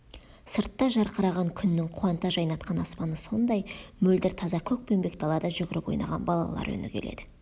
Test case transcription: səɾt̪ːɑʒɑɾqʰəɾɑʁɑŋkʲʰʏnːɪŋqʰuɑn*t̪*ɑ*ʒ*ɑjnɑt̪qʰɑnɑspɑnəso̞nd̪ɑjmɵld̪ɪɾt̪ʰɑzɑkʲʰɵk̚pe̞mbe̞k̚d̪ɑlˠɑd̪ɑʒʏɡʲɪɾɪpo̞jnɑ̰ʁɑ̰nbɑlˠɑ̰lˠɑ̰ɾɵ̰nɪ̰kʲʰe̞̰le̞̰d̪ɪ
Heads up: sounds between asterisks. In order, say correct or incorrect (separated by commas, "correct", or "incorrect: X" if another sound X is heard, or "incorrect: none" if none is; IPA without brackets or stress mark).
correct, correct